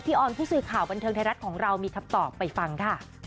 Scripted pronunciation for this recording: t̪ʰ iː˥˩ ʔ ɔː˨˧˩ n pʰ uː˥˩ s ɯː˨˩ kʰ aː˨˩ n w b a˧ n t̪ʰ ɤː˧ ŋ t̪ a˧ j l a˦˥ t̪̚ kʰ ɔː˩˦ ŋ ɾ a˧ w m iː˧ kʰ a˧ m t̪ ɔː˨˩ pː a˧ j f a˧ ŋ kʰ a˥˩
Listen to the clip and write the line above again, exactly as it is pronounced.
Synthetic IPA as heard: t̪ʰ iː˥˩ ʔ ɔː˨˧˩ n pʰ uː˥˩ s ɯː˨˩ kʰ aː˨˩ w b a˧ n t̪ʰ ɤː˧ ŋ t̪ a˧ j ɾ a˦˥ t̪̚ kʰ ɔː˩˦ ŋ ɾ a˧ w m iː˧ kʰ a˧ m t̪ ɔː˨˩ pː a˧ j f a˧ ŋ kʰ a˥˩